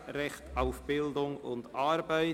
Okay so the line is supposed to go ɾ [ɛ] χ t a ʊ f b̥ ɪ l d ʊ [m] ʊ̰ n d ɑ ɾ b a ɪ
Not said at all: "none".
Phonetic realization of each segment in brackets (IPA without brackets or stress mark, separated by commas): ɛ, ŋ